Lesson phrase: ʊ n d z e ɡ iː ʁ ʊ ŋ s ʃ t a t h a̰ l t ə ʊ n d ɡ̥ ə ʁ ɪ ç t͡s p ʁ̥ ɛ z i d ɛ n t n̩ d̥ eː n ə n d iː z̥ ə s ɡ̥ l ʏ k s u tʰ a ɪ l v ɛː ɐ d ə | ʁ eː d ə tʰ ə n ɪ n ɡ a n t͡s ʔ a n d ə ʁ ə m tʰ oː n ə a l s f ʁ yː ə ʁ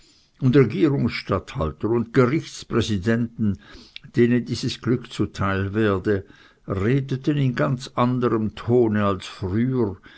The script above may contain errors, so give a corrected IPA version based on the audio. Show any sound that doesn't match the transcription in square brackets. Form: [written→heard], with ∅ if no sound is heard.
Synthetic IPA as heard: ʊ n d [z→ʁ] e ɡ iː ʁ ʊ ŋ s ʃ t a t h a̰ l t ə ʊ n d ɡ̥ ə ʁ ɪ ç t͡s p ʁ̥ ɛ z i d ɛ n t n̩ d̥ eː n ə n d iː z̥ ə s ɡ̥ l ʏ k [s→t͡s] u tʰ a ɪ l v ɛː ɐ d ə | ʁ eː d ə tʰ ə n ɪ n ɡ a n t͡s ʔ a n d ə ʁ ə m tʰ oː n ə a l s f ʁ yː ə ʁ